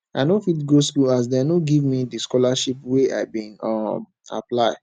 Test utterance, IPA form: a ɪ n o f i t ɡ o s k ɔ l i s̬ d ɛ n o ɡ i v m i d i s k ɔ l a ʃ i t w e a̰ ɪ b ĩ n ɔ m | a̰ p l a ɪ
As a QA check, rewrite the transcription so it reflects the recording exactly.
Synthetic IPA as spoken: a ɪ n o f i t ɡ o s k u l a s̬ d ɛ n o ɡ i v m i d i s k ɔ l a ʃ i p w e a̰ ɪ b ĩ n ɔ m | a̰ p l a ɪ

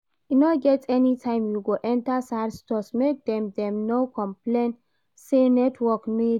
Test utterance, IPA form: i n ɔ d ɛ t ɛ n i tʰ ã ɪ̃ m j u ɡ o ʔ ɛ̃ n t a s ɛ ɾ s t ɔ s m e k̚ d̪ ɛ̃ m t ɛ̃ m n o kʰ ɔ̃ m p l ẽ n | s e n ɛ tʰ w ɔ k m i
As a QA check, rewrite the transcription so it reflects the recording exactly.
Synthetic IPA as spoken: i n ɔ ɡ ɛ t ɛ n i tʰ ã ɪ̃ m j u ɡ o ʔ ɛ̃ n t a s a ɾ s t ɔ s m e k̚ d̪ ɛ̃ m d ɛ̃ m n o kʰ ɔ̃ m p l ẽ n | s e n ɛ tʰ w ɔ k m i

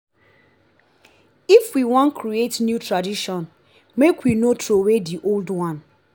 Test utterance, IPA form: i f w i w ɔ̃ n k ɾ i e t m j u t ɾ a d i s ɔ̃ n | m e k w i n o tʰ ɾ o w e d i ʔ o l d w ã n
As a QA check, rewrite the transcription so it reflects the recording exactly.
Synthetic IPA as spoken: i f w i w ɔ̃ n k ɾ i e t n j u t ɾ a d i ʃ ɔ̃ n | m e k w i n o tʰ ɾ o w e d i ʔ o l d w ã n

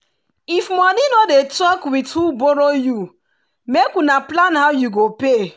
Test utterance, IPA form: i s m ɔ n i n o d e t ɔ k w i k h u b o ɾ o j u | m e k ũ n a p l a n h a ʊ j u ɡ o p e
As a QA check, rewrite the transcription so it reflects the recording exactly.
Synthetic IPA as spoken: i f m ɔ n i n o d e t ɔ k w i t h u b o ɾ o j u | m e k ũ n a p l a n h a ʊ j u ɡ o p e

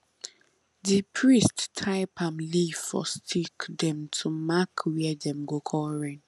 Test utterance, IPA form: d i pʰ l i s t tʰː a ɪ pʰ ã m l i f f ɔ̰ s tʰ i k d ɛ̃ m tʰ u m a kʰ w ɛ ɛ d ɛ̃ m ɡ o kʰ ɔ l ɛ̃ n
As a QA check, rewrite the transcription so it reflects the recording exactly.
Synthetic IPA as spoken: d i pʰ ɹ i s t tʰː a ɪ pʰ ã m l i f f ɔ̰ s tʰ i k d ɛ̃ m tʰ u m a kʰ w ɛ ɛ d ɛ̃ m ɡ o kʰ ɔ ɹ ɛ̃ n

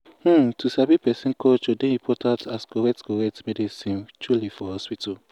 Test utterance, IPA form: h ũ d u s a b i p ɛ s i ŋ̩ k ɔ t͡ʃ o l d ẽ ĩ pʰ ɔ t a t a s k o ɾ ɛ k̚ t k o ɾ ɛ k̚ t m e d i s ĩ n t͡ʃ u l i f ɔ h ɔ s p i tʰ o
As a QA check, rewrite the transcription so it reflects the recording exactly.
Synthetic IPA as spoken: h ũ t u s a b i p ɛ s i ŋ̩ k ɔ t͡ʃ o d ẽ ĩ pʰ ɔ t a t a s k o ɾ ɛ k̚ t k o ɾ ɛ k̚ t m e d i s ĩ n t͡ʃ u l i f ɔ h ɔ s p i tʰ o

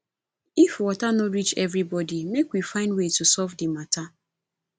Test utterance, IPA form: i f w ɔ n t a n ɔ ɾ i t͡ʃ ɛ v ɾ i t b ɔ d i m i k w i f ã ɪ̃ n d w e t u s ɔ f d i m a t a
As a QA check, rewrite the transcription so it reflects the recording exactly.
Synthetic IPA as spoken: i f w ɔ t a n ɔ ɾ i t͡ʃ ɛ v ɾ i b ɔ d i m e k w i f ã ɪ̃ n d w e t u s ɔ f d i m a t a

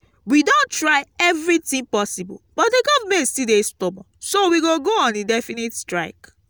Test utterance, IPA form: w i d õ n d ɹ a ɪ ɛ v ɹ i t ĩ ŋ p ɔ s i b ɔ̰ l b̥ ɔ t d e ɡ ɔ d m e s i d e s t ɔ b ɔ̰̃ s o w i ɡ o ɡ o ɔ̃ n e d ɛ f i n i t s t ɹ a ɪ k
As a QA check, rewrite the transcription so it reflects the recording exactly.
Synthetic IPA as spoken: w i d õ n t ɹ a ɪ ɛ v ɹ i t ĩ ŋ p ɔ s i b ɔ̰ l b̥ ɔ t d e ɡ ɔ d m e s i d e s t ɔ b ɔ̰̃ s o w i ɡ o ɡ o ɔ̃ n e d ɛ f i n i t s t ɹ a ɪ k

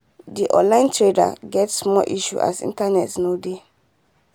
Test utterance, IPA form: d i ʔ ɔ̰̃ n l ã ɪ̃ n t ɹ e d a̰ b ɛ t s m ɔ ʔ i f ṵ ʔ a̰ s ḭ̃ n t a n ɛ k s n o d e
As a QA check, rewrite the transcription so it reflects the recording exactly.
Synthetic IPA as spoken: d i ʔ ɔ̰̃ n l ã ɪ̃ n t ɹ e d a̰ ɡ ɛ t s m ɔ ʔ i ʃ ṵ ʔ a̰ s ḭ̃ n t a n ɛ t s n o d e

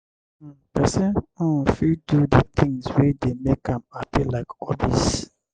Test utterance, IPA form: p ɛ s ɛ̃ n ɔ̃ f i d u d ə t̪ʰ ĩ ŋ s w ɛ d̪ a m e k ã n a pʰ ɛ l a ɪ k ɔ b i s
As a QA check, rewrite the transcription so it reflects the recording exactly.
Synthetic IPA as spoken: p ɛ s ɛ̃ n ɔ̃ f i d u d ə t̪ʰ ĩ ŋ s w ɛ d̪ e m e k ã m a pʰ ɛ l a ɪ k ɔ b i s

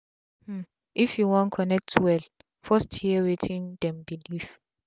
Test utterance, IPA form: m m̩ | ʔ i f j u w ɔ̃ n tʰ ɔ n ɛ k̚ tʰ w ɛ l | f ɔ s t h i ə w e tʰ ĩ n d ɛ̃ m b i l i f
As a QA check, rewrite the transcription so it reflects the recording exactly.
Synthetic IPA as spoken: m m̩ | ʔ i f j u w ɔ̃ n kʰ ɔ n ɛ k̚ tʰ w ɛ l | f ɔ s t h i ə w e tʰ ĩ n d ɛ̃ m b i l i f

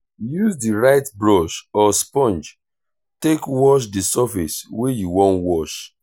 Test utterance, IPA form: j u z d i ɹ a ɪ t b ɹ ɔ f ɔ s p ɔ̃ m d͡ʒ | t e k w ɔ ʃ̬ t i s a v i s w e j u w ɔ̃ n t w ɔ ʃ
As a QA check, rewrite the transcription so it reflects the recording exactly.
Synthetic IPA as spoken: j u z d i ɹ a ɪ t b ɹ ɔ ʃ ɔ s p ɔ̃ n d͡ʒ | t e k w ɔ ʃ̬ d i s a f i s w e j u w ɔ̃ n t w ɔ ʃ

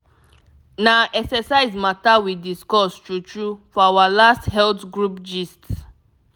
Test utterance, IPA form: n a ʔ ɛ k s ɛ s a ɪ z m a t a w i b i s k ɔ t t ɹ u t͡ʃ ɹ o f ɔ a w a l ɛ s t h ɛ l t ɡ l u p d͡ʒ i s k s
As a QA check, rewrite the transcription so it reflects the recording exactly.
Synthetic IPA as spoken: n a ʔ ɛ k s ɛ s a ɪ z m a t a w i d i s k ɔ s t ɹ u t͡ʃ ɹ u f ɔ a w a l a s t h ɛ l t ɡ ɹ u p d͡ʒ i s t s

